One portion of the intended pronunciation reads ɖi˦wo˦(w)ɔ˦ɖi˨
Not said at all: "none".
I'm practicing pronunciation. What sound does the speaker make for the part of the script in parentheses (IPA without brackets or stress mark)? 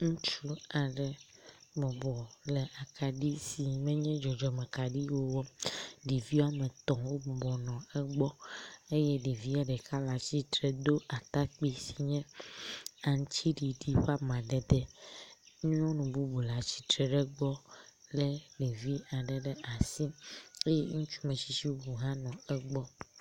w